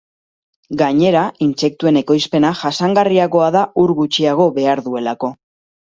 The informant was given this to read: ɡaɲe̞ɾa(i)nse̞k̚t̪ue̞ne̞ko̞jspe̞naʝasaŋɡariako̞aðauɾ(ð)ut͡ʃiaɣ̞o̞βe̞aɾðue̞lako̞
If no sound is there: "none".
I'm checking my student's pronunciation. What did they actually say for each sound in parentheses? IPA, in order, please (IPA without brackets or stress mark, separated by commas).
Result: i, ɣ